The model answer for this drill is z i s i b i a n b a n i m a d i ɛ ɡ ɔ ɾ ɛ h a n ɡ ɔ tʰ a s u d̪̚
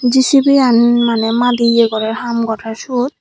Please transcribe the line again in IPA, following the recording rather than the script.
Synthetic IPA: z i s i b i a n m a n ɛ m a d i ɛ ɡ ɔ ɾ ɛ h a m ɡ ɔ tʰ a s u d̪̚